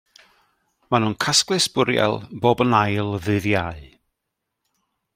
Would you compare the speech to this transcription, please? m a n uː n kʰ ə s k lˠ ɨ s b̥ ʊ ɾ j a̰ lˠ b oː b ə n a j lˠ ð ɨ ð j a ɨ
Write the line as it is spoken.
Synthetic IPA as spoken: m a n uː n kʰ a s k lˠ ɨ s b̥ ʊ ɾ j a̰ lˠ b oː b ə n a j lˠ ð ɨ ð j a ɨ